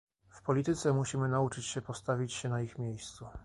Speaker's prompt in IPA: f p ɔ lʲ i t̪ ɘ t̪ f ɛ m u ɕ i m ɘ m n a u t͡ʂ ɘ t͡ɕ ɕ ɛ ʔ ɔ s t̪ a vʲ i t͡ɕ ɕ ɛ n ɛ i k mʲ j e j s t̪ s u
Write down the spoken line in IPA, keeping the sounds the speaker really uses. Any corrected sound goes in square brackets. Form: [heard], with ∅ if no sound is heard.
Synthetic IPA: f p ɔ lʲ i t̪ ɘ t̪ [s] ɛ m u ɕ i m ɘ [∅] n a u t͡ʂ ɘ t͡ɕ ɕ ɛ [p] ɔ s t̪ a vʲ i t͡ɕ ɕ ɛ n [a] i [x] mʲ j e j s t̪ s u